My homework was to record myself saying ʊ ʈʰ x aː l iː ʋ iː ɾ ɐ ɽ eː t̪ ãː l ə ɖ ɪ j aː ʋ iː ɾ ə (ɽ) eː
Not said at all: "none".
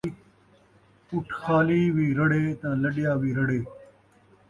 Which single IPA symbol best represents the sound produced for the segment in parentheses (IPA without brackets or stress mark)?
ɽ